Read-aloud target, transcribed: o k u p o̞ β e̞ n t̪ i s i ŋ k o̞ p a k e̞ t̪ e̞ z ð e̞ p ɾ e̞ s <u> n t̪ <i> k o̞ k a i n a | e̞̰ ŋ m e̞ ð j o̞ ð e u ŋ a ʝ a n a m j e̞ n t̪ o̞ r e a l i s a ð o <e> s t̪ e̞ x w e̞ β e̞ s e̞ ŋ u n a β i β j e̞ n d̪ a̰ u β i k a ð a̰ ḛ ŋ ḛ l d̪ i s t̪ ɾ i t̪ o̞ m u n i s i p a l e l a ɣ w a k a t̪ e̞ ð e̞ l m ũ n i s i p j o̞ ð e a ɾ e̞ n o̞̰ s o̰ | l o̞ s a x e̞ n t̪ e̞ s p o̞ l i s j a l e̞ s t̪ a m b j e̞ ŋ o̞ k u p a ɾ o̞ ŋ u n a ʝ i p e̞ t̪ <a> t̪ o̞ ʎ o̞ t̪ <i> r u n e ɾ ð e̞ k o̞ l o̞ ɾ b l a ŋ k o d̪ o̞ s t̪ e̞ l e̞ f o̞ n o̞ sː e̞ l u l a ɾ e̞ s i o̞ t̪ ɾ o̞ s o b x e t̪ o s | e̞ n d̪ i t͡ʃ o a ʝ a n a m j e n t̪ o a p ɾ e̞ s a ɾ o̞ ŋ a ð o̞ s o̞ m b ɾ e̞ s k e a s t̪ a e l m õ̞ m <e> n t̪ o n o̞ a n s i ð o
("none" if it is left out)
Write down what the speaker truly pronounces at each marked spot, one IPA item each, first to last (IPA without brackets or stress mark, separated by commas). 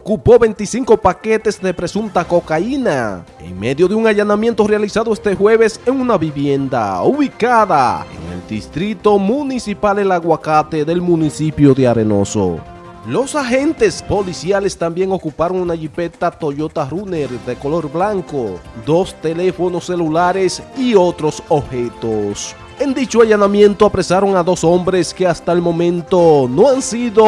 u, a, e, a, a, ẽ